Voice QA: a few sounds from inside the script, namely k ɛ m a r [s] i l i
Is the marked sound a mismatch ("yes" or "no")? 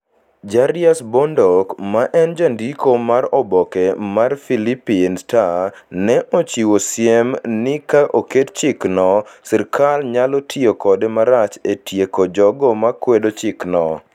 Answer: yes